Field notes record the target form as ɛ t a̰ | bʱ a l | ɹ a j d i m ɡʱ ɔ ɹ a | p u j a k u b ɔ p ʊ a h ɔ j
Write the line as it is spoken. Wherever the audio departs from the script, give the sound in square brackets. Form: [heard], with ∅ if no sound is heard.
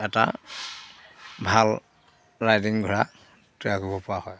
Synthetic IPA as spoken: ɛ t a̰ | bʱ a l | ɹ a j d i [ŋ] ɡʱ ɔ ɹ a | [t] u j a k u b ɔ p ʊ a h ɔ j